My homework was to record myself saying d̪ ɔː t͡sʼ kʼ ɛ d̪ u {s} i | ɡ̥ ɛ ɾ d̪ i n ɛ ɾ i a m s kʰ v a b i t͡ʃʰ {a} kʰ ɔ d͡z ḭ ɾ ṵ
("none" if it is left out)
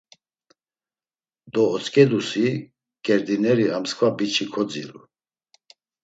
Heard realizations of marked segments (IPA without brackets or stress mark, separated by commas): s, i